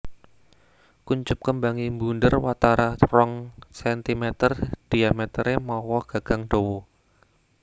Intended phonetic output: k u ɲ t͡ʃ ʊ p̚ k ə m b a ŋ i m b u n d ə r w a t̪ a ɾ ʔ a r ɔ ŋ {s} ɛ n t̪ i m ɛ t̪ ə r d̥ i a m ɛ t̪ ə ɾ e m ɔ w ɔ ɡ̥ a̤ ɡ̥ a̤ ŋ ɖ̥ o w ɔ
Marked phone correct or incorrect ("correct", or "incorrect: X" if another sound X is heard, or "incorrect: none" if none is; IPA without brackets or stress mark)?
correct